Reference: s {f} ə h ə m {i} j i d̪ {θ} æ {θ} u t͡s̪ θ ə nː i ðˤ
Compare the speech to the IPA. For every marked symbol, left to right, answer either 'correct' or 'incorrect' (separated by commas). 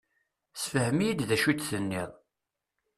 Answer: correct, correct, incorrect, incorrect